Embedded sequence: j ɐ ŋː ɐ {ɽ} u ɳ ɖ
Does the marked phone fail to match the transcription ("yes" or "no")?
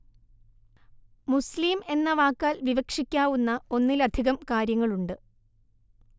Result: yes